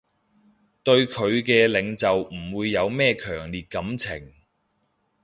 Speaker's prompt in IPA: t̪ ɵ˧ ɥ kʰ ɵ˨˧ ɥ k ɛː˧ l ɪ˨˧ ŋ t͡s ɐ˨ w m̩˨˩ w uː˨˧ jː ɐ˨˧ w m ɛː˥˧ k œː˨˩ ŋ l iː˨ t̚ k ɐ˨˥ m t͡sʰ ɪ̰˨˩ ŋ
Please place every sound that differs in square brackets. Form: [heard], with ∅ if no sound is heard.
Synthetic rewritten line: t̪ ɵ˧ ɥ kʰ ɵ˨˧ ɥ k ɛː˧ l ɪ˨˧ ŋ t͡s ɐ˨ w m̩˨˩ w uː˨˧ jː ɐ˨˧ w m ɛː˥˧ [kʰ] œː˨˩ ŋ l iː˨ t̚ k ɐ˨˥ m t͡sʰ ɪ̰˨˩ ŋ